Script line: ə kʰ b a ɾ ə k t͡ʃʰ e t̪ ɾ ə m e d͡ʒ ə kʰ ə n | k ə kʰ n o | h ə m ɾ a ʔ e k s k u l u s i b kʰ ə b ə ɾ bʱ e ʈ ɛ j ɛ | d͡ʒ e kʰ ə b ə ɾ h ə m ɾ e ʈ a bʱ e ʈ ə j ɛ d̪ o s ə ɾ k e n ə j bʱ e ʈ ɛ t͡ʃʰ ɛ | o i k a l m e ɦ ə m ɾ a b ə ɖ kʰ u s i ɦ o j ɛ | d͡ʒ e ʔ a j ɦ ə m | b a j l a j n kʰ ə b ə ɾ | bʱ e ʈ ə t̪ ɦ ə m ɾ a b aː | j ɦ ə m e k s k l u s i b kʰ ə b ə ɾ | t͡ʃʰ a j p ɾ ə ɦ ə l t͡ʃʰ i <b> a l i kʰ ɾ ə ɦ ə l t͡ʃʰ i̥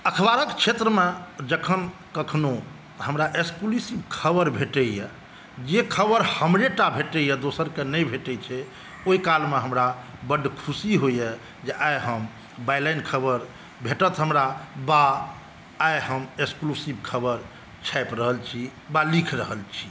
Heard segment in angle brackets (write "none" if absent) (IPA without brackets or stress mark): b